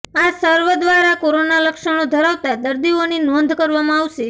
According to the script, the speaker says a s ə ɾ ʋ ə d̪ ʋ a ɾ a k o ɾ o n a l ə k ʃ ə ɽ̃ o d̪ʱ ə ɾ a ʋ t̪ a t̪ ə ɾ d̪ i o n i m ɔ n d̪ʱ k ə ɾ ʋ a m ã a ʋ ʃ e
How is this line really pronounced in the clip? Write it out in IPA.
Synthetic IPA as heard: a s ə ɾ ʋ ə d̪ ʋ a ɾ a k o ɾ o n a l ə k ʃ ə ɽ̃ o d̪ʱ ə ɾ a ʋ t̪ a d̪ ə ɾ d̪ i o n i n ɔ n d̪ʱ k ə ɾ ʋ a m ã a ʋ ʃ e